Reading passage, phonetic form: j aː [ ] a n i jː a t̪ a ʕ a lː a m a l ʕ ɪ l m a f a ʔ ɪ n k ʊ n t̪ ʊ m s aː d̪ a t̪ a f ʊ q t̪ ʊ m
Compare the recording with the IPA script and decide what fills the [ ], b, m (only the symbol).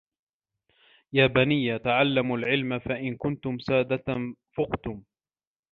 b